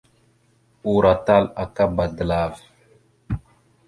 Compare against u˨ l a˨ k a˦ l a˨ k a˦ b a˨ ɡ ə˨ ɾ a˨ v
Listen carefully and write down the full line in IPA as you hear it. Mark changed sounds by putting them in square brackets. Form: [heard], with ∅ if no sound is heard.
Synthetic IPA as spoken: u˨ [ɾ] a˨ [t] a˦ l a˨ k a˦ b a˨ [d] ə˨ [l] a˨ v